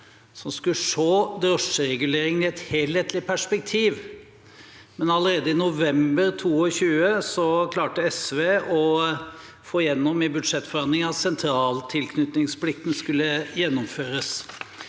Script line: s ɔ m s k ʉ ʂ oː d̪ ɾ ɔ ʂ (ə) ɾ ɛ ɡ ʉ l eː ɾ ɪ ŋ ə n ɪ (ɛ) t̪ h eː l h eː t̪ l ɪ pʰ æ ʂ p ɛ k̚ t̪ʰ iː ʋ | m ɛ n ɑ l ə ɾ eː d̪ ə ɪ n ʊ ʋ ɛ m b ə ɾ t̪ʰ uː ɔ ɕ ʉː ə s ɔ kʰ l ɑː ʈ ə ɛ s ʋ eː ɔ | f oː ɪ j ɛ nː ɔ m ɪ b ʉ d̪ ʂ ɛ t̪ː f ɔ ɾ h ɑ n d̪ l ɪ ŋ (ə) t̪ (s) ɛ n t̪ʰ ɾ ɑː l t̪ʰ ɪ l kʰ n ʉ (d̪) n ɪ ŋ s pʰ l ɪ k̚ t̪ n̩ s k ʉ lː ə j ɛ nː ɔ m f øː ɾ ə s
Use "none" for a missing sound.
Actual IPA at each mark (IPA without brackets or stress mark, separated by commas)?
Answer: ə, ɛ, ɑ, s, t̪